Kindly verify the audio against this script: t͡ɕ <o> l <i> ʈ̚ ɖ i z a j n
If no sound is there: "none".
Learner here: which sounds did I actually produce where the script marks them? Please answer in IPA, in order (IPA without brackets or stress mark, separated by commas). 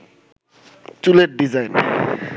u, e